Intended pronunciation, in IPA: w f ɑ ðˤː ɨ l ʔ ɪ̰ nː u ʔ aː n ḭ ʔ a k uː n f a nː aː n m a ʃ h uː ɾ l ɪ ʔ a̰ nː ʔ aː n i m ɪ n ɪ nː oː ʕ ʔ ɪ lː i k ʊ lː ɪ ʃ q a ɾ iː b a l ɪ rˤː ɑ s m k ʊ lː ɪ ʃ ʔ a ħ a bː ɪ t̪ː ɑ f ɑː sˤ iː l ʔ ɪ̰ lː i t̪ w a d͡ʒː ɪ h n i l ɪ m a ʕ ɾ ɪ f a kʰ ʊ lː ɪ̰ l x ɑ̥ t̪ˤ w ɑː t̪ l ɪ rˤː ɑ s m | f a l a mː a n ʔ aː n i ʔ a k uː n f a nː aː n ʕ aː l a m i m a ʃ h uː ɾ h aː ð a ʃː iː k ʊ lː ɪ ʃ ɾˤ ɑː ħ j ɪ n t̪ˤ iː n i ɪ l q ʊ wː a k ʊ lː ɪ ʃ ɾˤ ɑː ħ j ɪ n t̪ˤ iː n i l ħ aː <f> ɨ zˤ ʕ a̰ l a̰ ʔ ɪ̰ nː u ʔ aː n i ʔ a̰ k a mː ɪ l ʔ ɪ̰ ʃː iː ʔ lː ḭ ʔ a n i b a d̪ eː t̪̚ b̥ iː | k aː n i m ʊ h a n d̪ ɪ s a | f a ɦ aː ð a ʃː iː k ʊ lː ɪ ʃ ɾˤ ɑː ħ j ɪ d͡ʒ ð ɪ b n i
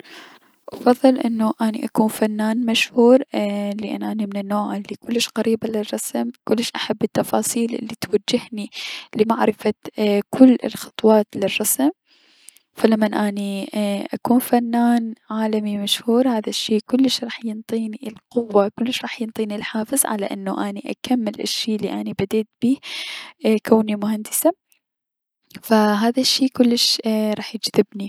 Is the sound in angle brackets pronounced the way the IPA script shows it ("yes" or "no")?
yes